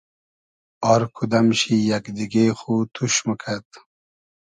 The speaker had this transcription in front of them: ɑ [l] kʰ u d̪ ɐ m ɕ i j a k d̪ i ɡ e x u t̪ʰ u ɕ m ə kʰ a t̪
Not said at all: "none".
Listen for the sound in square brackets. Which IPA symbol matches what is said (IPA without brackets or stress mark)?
ɾ